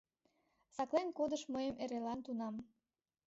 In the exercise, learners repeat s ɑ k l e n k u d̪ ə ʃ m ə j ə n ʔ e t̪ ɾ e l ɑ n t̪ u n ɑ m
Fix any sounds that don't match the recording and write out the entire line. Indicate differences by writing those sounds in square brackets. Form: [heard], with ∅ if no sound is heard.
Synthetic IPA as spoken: s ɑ k l e n k [o] d̪ ə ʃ m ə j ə [m] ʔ e [∅] ɾ e l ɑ n t̪ u n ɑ m